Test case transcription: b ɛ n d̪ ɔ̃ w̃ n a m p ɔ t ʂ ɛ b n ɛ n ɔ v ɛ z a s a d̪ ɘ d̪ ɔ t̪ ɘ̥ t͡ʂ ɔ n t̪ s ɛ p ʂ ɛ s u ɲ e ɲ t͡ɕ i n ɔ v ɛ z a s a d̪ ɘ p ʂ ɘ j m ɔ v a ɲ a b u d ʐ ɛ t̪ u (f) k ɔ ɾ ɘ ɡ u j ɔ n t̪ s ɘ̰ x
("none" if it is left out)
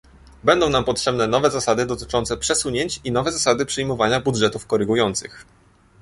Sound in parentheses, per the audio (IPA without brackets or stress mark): f